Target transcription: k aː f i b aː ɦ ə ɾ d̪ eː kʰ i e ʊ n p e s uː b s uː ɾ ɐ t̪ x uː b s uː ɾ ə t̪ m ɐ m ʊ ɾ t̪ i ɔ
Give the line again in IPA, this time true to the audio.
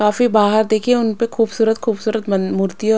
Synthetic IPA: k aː f i b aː ɦ ə ɾ d̪ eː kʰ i e ʊ n p e x uː b s uː ɾ ə t̪ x uː b s uː ɾ ə t̪ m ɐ m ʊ ɾ t̪ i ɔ